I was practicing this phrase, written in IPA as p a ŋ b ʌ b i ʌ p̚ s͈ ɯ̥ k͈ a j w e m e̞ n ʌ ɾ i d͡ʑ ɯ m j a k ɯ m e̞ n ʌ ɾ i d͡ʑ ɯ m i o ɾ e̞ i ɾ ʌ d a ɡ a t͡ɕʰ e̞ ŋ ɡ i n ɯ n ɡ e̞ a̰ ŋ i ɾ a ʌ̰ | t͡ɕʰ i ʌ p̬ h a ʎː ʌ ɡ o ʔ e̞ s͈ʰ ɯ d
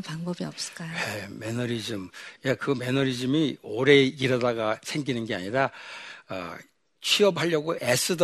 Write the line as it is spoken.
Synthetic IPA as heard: p a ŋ b ʌ b i ʌ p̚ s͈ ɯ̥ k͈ a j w e m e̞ n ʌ ɾ i d͡ʑ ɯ m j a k ɯ m e̞ n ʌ ɾ i d͡ʑ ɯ m i o ɾ e̞ i ɾ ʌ d a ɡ a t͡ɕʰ e̞ ŋ ɡ i n ɯ n ɡ e̞ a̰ ɲ i ɾ a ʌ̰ | t͡ɕʰ i ʌ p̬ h a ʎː ʌ ɡ o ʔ e̞ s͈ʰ ɯ d